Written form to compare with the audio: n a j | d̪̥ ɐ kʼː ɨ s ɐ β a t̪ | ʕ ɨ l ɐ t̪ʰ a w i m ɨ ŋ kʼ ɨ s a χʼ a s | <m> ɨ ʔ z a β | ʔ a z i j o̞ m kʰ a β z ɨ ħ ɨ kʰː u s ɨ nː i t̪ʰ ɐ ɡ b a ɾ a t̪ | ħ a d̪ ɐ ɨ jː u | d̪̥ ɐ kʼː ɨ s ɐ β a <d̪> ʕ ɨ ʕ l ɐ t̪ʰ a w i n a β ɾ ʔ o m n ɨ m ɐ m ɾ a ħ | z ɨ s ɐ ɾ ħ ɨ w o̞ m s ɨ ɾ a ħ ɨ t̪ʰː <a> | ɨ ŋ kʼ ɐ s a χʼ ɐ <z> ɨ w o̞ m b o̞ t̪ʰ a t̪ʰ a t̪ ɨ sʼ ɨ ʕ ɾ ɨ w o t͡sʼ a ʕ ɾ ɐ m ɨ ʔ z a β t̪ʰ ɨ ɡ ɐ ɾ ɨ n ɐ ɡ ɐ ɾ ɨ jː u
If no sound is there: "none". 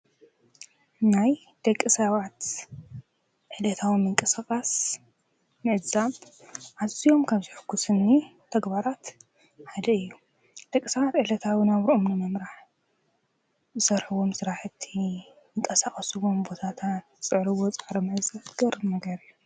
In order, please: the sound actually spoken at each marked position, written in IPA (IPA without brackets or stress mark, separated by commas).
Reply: m, t̪, i, s